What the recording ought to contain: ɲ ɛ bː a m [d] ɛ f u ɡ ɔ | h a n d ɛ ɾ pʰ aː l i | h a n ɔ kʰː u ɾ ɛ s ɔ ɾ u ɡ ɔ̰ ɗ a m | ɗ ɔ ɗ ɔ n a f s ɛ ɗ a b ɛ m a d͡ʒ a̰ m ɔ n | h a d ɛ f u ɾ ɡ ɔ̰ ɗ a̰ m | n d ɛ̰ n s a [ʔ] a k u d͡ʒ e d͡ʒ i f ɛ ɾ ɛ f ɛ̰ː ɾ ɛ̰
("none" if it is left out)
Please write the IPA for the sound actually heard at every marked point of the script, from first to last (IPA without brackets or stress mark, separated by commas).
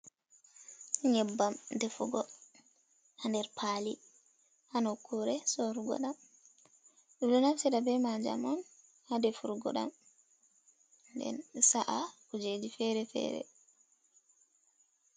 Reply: d, ʔ